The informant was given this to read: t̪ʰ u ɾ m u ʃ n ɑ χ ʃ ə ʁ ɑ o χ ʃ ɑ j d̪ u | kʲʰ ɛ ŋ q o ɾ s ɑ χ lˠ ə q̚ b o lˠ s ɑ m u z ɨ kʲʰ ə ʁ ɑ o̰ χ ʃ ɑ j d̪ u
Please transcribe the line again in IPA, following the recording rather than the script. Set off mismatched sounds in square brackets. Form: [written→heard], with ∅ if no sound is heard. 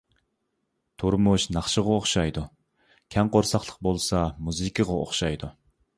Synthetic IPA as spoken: t̪ʰ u ɾ m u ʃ n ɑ χ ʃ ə ʁ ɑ o χ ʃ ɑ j d̪ u | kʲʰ ɛ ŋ q o ɾ s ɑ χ lˠ ə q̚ b o lˠ s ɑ m u z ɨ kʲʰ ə ʁ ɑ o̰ χ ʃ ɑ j d̪ u